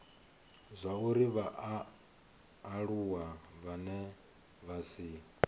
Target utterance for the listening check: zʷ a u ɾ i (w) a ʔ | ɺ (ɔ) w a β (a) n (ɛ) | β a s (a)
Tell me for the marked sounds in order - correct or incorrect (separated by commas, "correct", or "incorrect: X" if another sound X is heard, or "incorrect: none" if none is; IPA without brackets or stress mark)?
incorrect: β, incorrect: u, correct, correct, incorrect: i